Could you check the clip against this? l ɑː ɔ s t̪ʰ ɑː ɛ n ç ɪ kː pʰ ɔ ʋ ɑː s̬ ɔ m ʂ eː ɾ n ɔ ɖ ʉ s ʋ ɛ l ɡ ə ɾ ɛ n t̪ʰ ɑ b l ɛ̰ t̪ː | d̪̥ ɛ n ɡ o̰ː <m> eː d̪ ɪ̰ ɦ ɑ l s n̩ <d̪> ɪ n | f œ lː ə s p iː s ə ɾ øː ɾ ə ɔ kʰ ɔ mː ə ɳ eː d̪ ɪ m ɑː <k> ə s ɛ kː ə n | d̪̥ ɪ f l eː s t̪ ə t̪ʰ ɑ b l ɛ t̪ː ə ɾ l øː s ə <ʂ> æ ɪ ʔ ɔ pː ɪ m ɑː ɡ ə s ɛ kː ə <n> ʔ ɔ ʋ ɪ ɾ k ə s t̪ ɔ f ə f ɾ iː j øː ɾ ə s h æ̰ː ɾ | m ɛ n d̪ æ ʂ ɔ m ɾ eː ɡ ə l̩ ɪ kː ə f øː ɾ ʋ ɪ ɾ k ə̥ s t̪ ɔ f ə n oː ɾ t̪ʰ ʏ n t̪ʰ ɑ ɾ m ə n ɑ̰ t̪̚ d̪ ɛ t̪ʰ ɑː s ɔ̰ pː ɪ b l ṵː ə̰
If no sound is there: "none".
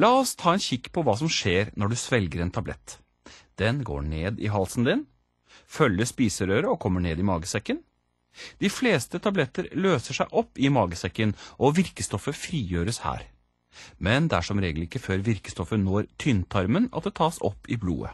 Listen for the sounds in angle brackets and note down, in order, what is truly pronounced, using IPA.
ɳ, d̪, ɡ, ʂ, n

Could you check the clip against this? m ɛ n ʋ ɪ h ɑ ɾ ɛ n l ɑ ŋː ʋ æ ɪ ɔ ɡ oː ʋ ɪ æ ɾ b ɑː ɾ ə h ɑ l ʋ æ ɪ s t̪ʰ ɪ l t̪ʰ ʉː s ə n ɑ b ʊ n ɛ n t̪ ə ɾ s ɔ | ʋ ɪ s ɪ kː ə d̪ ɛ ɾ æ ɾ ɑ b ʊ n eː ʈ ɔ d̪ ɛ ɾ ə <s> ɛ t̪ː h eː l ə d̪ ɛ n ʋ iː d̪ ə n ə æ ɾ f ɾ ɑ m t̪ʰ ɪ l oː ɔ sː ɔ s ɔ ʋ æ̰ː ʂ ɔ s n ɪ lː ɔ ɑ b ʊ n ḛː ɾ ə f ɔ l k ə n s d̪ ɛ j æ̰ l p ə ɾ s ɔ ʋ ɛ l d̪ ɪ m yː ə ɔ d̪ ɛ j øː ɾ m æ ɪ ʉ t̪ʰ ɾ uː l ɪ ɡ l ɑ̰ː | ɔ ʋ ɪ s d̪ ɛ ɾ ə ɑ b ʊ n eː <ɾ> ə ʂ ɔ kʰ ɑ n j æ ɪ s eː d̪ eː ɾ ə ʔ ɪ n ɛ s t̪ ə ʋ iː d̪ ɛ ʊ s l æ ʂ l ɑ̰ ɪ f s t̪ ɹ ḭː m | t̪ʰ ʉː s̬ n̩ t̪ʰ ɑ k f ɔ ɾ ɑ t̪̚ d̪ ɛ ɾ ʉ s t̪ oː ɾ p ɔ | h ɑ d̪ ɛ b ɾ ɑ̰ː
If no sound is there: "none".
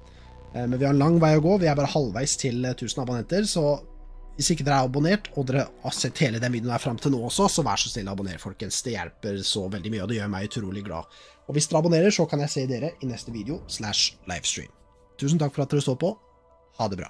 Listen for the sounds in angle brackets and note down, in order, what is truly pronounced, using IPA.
s, ɾ

